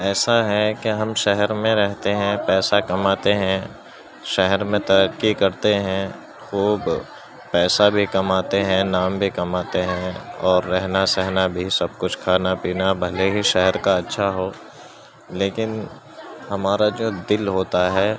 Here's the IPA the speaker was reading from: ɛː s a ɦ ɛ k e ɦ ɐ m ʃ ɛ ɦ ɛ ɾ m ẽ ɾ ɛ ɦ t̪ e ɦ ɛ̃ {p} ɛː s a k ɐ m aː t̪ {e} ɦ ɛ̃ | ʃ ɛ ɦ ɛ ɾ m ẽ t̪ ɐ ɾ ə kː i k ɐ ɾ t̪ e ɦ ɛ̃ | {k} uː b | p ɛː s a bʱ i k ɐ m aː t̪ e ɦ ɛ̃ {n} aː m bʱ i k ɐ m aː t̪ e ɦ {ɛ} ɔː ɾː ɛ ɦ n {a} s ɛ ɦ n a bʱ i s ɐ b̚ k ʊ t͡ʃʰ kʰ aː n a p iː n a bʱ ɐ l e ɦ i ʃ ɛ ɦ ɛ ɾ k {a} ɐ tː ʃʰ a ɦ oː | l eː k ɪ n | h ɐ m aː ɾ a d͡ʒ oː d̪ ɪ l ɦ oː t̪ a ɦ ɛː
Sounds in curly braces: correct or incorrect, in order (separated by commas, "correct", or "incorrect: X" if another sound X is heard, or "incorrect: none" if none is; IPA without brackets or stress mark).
correct, correct, incorrect: x, correct, incorrect: ɛ̃, correct, correct